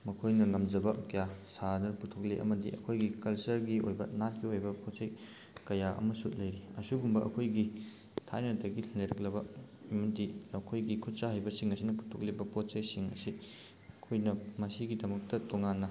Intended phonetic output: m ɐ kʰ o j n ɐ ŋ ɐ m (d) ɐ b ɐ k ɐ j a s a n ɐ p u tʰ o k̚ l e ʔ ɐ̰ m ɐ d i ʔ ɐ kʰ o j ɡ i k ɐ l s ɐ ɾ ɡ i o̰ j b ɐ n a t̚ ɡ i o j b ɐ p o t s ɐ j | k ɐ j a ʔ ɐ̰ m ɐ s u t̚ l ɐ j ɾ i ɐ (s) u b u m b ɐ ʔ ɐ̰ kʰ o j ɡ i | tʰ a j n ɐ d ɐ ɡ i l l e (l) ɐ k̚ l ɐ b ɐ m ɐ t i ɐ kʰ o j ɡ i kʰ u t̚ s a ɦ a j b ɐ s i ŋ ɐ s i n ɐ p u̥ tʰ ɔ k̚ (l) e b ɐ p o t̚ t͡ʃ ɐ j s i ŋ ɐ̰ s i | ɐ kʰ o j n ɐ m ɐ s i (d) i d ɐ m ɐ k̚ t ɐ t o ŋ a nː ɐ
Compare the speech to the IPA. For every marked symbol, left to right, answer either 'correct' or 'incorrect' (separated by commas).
incorrect, correct, incorrect, correct, incorrect